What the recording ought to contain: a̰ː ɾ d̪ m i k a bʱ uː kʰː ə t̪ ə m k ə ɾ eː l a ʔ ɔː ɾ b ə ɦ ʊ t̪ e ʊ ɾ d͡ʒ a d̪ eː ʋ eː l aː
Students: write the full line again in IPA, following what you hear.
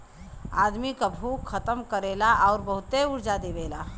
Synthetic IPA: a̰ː d̪ m i k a bʱ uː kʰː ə t̪ ə m k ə ɾ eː l a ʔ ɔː ɾ b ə ɦ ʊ t̪ e ʊ ɾ d͡ʒ a d̪ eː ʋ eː l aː